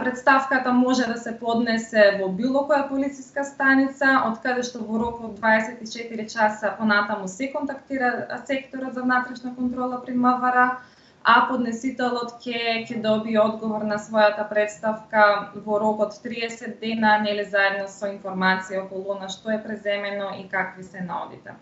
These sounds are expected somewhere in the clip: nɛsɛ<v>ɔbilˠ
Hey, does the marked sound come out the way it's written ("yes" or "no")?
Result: yes